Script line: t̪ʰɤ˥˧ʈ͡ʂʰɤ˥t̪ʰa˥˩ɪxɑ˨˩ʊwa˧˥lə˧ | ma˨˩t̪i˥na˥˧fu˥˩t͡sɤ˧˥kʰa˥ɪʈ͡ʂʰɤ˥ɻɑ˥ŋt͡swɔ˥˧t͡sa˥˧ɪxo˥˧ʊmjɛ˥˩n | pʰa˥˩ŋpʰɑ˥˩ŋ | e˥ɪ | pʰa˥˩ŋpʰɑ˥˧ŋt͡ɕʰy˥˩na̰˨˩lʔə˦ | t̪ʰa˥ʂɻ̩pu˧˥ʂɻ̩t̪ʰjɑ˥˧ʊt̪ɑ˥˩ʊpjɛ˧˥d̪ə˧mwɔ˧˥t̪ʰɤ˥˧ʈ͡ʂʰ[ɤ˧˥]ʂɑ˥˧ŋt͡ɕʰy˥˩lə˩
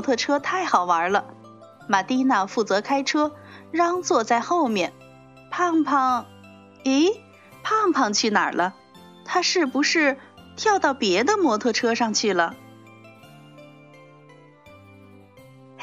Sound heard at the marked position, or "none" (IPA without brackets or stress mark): ɤ˥